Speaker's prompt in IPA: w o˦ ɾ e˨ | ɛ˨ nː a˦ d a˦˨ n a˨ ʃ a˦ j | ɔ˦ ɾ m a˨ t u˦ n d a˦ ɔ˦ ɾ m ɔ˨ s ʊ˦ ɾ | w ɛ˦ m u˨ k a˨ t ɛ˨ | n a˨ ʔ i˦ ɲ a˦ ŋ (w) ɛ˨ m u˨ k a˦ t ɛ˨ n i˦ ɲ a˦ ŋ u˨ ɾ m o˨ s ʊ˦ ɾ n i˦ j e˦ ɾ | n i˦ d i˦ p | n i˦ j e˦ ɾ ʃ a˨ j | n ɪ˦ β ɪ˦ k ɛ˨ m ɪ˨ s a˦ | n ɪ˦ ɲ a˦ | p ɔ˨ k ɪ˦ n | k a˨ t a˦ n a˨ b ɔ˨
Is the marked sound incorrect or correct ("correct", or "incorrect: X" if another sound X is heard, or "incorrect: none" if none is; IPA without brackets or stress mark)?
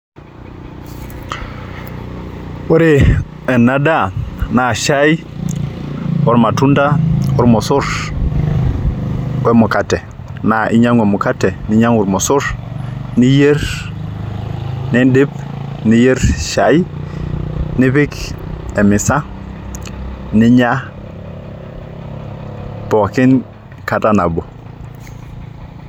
correct